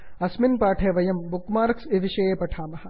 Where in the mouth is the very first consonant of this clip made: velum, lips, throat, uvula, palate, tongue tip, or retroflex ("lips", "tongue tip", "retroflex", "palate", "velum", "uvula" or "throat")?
tongue tip